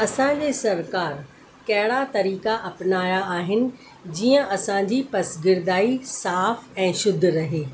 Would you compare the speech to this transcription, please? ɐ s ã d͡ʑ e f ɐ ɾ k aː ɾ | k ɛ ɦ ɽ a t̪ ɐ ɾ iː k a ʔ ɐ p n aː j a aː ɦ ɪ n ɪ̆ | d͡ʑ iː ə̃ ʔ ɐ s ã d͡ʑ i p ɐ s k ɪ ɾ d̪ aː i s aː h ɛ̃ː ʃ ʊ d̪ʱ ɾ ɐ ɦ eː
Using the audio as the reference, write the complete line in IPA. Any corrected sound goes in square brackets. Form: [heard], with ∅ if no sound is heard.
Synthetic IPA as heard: ɐ s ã d͡ʑ e [s] ɐ ɾ k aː ɾ | k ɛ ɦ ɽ a t̪ ɐ ɾ iː k a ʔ ɐ p n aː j a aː ɦ ɪ n ɪ̆ | d͡ʑ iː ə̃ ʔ ɐ s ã d͡ʑ i p ɐ s [ɡ] ɪ ɾ d̪ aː i s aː [f] ɛ̃ː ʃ ʊ d̪ʱ ɾ ɐ ɦ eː